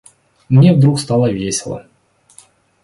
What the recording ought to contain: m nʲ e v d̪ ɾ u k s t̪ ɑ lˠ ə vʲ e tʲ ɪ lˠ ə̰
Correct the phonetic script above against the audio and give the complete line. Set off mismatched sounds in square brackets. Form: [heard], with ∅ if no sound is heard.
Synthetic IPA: m nʲ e v d̪ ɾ u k s t̪ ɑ lˠ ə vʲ e [sʲ] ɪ lˠ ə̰